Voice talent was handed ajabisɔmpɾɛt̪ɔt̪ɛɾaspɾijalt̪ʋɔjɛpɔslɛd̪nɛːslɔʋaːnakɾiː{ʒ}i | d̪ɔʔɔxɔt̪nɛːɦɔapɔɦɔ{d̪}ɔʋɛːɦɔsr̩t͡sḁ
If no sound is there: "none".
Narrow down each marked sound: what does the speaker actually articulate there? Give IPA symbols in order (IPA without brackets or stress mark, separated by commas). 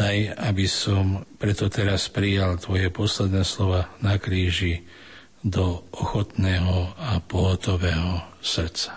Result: ʒ, t̪